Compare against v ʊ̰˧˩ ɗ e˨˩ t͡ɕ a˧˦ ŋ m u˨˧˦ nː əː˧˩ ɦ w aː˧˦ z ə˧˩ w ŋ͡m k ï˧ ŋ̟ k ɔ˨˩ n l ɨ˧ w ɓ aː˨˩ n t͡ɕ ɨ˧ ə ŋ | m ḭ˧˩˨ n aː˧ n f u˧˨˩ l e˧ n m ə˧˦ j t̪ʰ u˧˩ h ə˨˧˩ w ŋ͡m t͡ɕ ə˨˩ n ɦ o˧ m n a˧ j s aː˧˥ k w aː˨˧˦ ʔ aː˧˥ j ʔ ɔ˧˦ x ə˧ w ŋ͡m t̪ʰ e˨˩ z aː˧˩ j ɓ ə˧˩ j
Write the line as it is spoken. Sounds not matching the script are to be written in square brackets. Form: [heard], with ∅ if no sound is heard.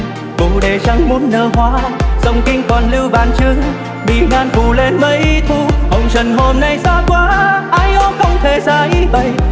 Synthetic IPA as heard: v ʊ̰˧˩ ɗ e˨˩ t͡ɕ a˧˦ ŋ m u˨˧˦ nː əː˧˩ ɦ w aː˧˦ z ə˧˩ w ŋ͡m k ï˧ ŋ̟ k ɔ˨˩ n l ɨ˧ w ɓ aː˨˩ n t͡ɕ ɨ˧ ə ŋ | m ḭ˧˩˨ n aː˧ n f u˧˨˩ l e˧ n m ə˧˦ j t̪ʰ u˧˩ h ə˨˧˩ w ŋ͡m t͡ɕ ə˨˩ n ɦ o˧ m n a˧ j s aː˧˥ k w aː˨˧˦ ʔ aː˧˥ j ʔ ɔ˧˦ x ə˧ w ŋ͡m t̪ʰ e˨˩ z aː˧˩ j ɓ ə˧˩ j